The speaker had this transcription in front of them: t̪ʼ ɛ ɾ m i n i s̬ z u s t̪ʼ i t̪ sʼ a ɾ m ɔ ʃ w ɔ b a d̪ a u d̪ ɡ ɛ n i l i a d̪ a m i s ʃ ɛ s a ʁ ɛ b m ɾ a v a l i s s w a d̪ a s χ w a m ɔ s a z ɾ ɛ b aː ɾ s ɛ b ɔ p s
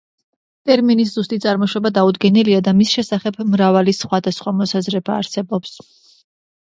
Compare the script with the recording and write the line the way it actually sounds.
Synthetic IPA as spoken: t̪ʼ ɛ ɾ m i n i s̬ z u s t̪ʼ i t̪ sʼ a ɾ m ɔ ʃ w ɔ b a d̪ a u d̪ ɡ ɛ n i l i a d̪ a m i s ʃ ɛ s a χ ɛ b m ɾ a v a l i s χ w a d̪ a s χ w a m ɔ s a z ɾ ɛ b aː ɾ s ɛ b ɔ p s